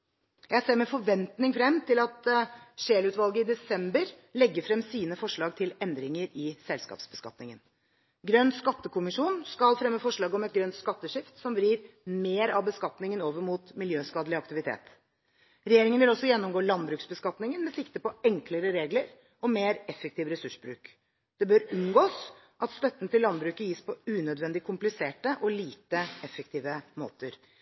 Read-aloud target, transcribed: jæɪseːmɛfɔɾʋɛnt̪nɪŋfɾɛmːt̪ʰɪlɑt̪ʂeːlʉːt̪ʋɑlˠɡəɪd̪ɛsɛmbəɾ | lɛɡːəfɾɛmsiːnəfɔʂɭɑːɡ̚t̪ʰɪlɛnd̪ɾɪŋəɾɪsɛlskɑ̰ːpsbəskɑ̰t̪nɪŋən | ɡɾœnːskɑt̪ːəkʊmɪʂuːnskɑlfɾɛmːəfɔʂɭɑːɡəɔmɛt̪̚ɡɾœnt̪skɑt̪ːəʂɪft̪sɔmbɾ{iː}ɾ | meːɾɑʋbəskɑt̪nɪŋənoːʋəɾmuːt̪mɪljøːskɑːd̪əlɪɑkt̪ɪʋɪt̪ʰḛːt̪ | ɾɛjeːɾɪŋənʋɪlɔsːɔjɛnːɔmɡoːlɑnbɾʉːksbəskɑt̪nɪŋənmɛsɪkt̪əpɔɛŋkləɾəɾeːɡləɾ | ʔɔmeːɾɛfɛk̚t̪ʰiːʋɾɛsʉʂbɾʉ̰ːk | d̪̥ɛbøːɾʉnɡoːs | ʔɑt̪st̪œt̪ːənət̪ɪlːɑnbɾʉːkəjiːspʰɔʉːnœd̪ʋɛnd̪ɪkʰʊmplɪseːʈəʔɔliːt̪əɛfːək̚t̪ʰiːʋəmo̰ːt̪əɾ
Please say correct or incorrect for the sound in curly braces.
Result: correct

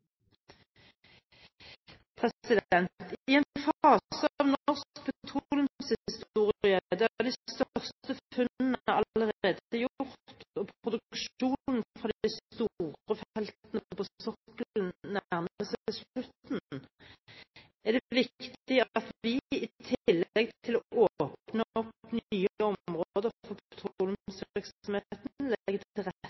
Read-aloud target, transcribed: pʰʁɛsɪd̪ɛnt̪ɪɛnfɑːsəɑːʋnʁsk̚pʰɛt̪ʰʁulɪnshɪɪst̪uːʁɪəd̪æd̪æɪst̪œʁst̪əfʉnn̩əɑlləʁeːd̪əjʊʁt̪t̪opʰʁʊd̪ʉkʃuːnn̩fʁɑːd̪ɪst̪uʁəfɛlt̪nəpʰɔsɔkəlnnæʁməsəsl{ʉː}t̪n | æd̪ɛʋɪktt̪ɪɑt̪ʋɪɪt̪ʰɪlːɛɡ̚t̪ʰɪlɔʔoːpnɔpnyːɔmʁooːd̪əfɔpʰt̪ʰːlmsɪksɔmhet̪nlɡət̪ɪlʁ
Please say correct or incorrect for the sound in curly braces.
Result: incorrect: ʉ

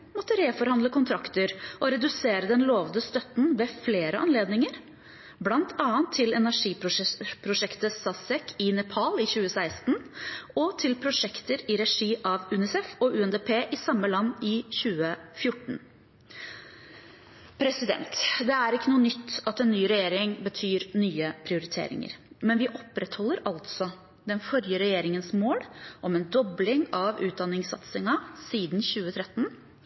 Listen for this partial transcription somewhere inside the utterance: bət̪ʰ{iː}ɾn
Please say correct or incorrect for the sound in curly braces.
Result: incorrect: yː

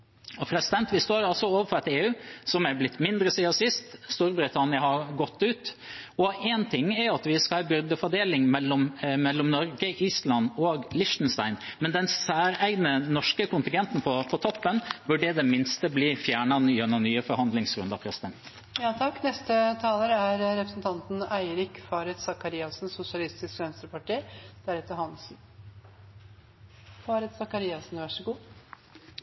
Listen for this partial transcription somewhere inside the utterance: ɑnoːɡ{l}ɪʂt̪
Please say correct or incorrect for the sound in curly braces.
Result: correct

